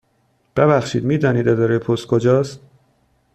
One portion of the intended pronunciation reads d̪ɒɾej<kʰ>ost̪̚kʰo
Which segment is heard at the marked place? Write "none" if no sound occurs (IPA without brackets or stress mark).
pʰ